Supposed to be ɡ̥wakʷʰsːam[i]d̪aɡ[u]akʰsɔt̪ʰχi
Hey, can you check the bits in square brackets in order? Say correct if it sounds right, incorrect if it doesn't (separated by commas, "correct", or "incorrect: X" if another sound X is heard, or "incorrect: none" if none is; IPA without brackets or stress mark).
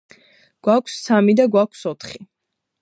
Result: correct, incorrect: w